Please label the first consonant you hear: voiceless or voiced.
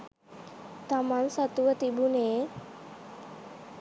voiceless